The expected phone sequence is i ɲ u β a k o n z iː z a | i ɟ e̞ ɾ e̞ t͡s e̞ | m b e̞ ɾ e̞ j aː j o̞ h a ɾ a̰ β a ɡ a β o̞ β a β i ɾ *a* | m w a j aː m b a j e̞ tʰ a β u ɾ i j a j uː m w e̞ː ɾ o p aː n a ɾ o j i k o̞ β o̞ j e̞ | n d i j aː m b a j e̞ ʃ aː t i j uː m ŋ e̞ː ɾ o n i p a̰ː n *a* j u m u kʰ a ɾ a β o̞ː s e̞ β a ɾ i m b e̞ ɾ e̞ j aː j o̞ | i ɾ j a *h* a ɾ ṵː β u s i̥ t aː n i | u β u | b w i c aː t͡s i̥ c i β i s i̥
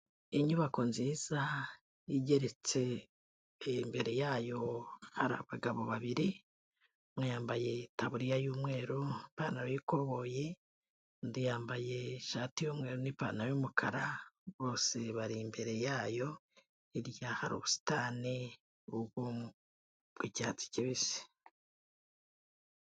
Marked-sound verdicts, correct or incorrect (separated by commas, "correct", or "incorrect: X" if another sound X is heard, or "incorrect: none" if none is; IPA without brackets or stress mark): incorrect: i, correct, correct